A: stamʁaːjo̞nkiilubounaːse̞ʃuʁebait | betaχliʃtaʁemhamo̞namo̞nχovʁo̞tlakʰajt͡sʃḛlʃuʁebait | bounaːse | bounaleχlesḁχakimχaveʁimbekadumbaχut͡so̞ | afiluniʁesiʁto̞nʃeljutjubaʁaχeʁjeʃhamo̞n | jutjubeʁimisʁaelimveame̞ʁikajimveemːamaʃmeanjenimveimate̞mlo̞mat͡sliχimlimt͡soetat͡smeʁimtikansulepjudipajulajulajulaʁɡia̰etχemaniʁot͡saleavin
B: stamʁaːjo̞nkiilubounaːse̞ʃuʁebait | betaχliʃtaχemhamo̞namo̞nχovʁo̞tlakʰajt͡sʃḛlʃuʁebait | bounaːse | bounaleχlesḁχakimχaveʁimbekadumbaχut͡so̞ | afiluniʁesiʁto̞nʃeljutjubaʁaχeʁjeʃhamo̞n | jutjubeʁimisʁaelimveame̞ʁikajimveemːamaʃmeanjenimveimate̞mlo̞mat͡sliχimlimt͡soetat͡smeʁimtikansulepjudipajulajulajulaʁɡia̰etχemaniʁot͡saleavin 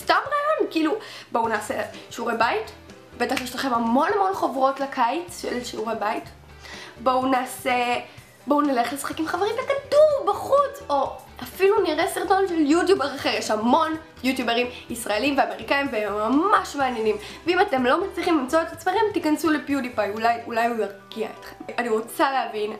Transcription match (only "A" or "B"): B